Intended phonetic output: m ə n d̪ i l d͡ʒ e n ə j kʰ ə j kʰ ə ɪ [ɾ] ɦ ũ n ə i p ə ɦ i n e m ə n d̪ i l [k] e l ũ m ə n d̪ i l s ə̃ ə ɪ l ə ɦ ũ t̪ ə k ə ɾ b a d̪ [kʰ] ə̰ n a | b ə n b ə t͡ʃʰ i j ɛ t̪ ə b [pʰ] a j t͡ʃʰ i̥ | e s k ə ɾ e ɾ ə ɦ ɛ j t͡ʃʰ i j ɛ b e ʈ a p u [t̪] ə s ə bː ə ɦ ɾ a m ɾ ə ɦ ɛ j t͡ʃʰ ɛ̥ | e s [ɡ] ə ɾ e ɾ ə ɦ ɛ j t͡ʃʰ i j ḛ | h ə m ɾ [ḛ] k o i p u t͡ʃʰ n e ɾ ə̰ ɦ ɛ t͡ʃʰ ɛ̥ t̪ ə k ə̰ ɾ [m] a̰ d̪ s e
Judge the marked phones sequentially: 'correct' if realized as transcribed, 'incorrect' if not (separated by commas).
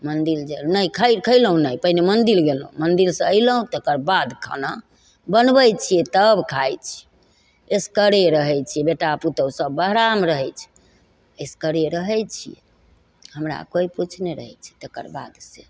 incorrect, incorrect, correct, incorrect, correct, incorrect, incorrect, incorrect